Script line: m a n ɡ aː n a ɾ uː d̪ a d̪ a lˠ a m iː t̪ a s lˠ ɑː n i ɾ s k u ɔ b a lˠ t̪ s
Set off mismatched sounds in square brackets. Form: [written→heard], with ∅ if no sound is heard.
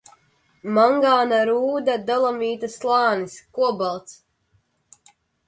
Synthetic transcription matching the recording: m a [n→ŋ] ɡ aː n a ɾ uː d̪ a d̪ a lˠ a m iː t̪ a s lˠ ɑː n i [ɾ→∅] s k u ɔ b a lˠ t̪ s